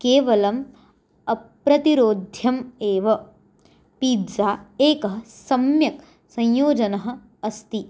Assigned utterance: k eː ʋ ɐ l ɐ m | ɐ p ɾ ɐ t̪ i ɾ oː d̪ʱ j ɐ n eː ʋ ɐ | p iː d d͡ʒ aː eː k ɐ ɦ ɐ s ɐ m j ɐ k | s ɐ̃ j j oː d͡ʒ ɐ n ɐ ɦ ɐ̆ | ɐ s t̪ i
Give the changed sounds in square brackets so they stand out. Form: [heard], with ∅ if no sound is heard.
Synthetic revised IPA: k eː ʋ ɐ l ɐ m | ɐ p ɾ ɐ t̪ i ɾ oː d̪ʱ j ɐ [m] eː ʋ ɐ | p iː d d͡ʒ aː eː k ɐ ɦ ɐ s ɐ m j ɐ k | s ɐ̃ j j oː d͡ʒ ɐ n ɐ ɦ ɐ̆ | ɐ s t̪ i